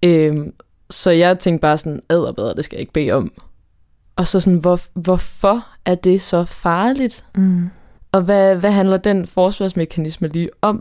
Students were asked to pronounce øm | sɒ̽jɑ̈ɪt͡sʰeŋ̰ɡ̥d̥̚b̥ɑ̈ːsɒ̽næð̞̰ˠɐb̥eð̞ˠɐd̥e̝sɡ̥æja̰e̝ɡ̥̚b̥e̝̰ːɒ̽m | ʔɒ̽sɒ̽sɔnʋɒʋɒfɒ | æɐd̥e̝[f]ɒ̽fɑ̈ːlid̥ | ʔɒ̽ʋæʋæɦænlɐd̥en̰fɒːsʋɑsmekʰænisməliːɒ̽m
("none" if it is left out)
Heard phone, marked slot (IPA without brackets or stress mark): s